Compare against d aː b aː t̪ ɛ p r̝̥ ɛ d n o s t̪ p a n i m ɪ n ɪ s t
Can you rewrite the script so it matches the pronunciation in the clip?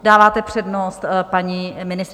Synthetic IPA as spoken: d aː v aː t̪ ɛ p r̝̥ ɛ d n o s t̪ p a ɲ i m ɪ n ɪ s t